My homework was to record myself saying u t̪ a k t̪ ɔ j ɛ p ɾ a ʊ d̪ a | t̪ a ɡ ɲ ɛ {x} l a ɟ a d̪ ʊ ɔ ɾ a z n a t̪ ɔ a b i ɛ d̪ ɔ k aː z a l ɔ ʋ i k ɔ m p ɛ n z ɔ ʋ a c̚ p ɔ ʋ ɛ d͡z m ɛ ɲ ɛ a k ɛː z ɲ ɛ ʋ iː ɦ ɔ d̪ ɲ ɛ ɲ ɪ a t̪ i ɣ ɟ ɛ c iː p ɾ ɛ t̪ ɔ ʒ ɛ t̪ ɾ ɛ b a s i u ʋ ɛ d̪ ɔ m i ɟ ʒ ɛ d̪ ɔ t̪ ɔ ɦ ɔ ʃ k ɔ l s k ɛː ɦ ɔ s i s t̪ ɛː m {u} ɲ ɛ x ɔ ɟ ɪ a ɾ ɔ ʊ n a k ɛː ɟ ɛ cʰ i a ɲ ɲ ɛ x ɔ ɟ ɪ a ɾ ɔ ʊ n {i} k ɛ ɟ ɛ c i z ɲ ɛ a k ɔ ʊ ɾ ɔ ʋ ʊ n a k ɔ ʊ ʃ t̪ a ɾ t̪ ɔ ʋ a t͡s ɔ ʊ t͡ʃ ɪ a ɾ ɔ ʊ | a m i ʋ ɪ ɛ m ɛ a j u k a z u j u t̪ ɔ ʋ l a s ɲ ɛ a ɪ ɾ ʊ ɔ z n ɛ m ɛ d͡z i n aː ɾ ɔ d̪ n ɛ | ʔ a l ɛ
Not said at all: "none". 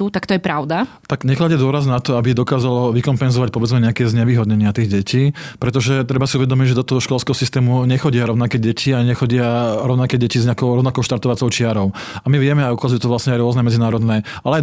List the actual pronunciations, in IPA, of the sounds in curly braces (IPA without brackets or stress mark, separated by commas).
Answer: x, u, a